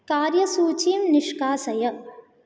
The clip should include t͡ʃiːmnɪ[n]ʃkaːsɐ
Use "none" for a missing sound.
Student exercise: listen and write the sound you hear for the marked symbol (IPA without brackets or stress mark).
none